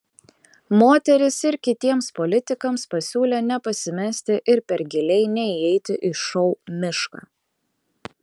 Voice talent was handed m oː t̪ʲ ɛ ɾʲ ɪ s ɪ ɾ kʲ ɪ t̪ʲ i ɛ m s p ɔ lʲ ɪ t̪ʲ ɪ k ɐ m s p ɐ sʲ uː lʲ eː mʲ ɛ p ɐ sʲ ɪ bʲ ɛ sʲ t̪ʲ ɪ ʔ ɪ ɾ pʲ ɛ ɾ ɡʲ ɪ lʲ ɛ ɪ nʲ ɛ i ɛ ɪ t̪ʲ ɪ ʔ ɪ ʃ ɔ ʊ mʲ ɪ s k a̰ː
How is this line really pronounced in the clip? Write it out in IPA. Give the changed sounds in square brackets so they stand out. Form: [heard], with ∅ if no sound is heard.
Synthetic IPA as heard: m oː t̪ʲ ɛ ɾʲ ɪ s ɪ ɾ kʲ ɪ t̪ʲ i ɛ m s p ɔ lʲ ɪ t̪ʲ ɪ k ɐ m s p ɐ sʲ uː lʲ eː [nʲ] ɛ p ɐ sʲ ɪ [mʲ] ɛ sʲ t̪ʲ ɪ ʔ ɪ ɾ pʲ ɛ ɾ ɡʲ ɪ lʲ ɛ ɪ nʲ ɛ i ɛ ɪ t̪ʲ ɪ ʔ ɪ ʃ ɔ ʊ mʲ ɪ [ʃ] k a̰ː